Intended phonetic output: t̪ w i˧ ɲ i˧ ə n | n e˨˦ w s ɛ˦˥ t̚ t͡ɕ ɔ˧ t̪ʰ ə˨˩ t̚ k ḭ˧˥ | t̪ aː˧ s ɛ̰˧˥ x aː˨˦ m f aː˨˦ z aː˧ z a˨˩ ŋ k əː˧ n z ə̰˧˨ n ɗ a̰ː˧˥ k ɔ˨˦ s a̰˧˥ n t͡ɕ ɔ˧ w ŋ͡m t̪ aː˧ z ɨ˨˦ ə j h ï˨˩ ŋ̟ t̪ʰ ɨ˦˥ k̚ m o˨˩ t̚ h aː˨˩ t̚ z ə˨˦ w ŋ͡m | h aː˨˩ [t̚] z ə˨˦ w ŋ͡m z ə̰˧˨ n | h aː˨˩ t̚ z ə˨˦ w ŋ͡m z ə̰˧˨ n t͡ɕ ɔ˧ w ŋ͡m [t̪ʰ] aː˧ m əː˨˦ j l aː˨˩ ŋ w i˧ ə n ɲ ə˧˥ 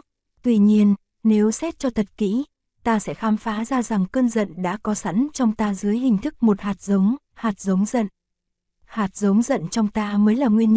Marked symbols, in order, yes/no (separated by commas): yes, no